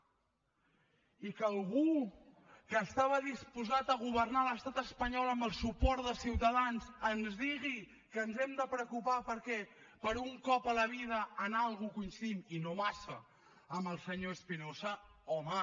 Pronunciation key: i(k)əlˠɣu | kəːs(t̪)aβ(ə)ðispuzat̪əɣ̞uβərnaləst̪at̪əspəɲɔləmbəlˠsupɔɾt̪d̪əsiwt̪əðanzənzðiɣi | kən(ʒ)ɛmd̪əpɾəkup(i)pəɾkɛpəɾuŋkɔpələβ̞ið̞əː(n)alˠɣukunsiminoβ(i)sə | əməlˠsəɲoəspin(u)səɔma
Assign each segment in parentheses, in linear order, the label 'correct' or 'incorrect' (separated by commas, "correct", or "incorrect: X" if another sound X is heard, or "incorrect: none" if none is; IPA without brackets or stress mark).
correct, correct, correct, incorrect: z, incorrect: a, correct, incorrect: a, incorrect: o